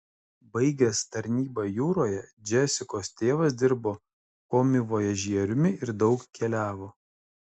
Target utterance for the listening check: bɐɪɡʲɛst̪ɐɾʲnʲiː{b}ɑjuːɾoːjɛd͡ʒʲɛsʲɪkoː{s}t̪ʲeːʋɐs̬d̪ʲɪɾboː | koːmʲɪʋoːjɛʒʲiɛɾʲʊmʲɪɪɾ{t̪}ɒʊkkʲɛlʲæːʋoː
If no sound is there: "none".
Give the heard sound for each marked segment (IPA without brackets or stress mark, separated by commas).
b, s, d̪